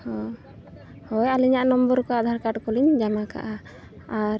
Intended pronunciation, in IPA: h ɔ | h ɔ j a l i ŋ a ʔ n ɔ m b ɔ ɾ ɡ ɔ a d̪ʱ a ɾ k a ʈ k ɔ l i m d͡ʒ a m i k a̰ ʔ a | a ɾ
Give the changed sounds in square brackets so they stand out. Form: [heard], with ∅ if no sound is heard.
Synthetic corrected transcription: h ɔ | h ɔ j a l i [ɲ] a ʔ n ɔ m b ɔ ɾ [k] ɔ a d̪ʱ a ɾ k a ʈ k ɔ l i [ɲ] d͡ʒ a m [a] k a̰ ʔ a | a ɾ